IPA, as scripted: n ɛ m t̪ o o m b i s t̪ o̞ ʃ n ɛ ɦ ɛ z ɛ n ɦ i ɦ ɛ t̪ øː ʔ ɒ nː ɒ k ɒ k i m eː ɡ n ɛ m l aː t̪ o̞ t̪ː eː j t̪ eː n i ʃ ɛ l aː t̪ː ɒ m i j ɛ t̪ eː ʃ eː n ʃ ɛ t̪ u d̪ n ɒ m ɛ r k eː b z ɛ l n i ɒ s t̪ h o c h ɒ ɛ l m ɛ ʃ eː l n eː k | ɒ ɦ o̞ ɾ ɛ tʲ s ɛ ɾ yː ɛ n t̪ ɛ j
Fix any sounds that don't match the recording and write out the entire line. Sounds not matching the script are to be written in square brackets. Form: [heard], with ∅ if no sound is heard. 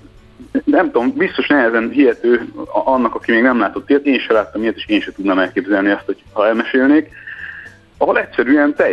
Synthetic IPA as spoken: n ɛ m t̪ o o m b i s t̪ o̞ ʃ n ɛ ɦ ɛ z ɛ n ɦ i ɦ ɛ t̪ øː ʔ ɒ nː ɒ k ɒ k i m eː ɡ n ɛ m l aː t̪ o̞ t̪ː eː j t̪ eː n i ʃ ɛ l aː t̪ː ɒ m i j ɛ t̪ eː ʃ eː n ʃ ɛ t̪ u d̪ n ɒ m ɛ [l] k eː b z ɛ l n i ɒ s t̪ h o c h ɒ ɛ l m ɛ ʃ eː l n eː k | ɒ ɦ o̞ [l] ɛ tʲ s ɛ ɾ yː ɛ n t̪ ɛ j